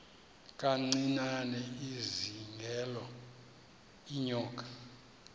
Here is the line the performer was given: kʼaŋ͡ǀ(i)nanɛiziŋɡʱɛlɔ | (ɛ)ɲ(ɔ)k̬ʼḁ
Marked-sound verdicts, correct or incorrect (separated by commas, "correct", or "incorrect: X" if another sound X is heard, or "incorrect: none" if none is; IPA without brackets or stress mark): correct, incorrect: i, incorrect: ɔː